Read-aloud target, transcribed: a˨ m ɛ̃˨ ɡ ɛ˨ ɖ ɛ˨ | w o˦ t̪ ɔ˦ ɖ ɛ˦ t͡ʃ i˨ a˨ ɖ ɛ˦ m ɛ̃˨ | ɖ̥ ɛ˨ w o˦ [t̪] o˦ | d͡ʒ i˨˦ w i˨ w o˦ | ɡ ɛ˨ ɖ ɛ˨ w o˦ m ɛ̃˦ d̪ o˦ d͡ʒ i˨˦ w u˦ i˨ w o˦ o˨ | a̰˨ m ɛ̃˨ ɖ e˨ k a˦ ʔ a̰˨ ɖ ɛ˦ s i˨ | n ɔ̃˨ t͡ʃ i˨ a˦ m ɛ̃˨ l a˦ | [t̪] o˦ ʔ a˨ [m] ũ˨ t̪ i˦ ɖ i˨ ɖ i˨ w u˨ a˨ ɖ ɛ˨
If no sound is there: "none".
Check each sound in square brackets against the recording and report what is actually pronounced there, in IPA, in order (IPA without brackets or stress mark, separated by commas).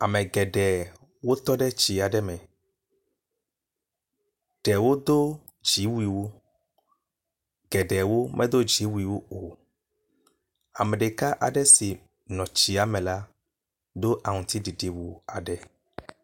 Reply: d̪, d̪, ŋ